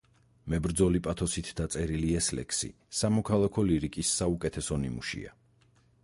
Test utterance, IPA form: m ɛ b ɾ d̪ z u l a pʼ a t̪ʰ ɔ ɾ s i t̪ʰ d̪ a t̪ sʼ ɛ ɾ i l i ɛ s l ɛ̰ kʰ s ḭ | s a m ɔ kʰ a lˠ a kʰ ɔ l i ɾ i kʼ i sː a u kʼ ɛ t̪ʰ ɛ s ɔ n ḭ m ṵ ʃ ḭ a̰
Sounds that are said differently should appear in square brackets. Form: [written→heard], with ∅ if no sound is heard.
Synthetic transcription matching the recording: m ɛ b ɾ d̪ z [u→ɔ] l [a→i] pʼ a t̪ʰ ɔ [ɾ→∅] s i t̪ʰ d̪ a t̪ sʼ ɛ ɾ i l i ɛ s l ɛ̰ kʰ s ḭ | s a m ɔ kʰ a lˠ a kʰ ɔ l i ɾ i kʼ i sː a u kʼ ɛ t̪ʰ ɛ s ɔ n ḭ m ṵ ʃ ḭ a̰